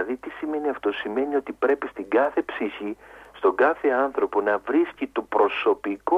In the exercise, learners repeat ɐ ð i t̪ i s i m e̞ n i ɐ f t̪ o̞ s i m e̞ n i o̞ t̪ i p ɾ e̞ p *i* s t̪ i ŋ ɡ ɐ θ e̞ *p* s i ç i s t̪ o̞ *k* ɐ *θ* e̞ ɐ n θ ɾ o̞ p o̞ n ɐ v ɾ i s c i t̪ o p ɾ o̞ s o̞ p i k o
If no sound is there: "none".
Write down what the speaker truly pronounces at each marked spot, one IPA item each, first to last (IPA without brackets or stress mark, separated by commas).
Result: i, p, ɡ, θ